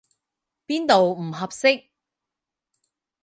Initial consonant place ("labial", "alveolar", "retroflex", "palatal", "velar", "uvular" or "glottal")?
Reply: labial